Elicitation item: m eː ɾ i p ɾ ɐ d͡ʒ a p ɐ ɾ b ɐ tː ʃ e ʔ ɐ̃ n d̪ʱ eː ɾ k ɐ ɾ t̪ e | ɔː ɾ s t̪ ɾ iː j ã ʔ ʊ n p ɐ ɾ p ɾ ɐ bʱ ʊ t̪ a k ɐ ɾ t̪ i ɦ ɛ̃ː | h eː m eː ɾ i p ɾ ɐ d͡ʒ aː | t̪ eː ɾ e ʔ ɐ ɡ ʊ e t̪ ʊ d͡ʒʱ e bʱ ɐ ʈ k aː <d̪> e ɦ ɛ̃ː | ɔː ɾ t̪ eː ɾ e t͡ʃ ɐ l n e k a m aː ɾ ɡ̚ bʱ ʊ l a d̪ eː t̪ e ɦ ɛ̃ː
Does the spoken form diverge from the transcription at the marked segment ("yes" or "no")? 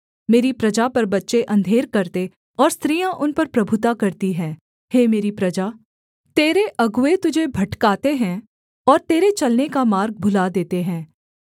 yes